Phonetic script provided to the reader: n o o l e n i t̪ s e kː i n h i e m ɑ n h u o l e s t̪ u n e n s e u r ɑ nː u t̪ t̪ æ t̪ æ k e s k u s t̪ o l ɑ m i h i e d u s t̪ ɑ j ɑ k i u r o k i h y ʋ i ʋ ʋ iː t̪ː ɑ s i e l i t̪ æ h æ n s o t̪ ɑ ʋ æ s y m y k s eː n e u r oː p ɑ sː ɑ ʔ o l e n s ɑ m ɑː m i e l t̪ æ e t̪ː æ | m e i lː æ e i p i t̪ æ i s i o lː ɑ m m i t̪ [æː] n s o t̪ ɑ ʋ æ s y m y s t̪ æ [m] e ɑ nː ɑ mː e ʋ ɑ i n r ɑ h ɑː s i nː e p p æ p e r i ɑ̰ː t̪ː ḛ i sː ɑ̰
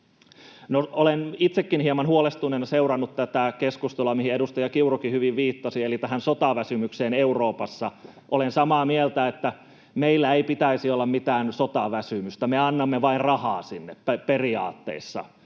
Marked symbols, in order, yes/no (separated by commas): yes, yes